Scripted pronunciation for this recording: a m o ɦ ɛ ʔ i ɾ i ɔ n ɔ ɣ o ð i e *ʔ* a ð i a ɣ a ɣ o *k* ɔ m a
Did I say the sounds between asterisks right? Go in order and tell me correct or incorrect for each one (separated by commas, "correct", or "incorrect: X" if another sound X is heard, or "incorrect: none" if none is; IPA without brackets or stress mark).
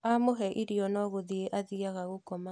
correct, correct